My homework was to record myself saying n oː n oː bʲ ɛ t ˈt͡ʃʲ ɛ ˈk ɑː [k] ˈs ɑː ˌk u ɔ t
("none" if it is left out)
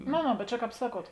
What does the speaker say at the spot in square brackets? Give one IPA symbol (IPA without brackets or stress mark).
p